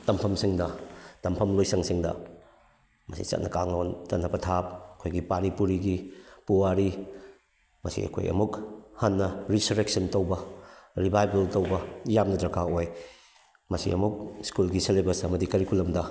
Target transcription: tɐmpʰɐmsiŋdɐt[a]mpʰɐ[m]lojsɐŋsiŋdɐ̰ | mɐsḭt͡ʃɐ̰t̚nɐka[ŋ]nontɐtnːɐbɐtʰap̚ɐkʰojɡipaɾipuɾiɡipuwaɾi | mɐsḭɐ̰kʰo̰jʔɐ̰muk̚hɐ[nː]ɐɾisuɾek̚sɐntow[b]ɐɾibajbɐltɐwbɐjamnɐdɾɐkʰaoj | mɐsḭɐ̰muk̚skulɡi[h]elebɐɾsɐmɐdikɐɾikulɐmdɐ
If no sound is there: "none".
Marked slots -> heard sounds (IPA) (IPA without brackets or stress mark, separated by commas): ɐ, m, ŋ, nː, b, s